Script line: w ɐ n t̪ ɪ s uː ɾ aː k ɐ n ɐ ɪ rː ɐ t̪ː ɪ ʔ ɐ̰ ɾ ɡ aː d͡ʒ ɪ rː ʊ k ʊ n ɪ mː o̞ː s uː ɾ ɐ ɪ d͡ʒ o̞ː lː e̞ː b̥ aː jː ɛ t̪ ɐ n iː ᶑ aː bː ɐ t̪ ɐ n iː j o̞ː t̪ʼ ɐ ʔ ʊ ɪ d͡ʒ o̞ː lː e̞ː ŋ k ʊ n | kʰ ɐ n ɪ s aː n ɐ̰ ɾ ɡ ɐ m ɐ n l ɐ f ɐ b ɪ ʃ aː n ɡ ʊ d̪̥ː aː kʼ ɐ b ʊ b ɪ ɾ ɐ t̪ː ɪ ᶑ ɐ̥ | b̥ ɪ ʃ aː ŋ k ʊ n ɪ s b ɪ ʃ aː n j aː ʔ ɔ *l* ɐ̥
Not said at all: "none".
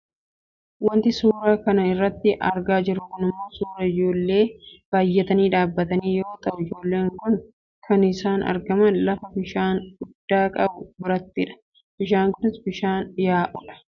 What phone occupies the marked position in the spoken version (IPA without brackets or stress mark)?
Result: l